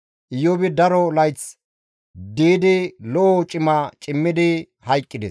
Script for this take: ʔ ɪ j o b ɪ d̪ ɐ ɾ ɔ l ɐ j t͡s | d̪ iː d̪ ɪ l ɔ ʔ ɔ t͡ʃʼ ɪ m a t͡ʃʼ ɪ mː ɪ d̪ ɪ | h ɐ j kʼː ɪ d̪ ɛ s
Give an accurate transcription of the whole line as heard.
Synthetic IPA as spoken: ʔ ɪ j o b ɪ d̪ ɐ ɾ ɔ l ɐ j t͡s | d̪ iː d̪ ɪ l ɔ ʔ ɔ t͡ʃʼ ɪ m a t͡ʃʼ ɪ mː ɪ d̪ ɪ | h ɐ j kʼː ɪ d̪ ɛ s